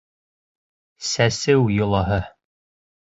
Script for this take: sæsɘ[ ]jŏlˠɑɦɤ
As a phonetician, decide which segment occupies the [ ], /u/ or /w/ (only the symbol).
w